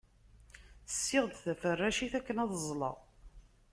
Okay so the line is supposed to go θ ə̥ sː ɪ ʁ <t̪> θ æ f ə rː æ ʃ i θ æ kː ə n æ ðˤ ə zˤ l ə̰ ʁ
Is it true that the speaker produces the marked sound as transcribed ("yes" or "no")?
no